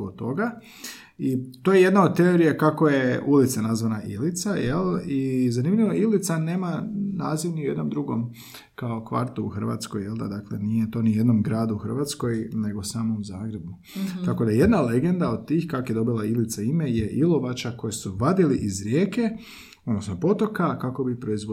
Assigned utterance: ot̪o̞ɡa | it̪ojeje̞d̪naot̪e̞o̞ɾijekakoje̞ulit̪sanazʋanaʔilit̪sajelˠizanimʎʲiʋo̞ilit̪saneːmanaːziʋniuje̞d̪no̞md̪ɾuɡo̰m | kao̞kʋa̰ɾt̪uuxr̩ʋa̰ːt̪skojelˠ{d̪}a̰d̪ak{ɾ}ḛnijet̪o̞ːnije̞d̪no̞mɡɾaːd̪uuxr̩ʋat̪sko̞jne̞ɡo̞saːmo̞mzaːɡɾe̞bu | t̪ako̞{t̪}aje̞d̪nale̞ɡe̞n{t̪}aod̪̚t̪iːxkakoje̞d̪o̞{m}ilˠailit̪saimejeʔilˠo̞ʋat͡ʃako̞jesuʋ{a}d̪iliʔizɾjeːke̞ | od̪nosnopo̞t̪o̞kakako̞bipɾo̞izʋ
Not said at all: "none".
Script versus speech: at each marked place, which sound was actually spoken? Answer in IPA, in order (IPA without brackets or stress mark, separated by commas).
d̪, l, d̪, d̪, b, a